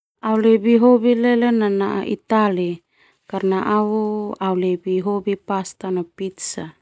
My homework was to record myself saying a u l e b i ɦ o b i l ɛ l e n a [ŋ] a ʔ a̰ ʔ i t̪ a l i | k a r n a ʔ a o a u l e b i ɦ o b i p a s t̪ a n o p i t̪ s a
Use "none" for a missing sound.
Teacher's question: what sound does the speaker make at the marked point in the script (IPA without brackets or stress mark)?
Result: n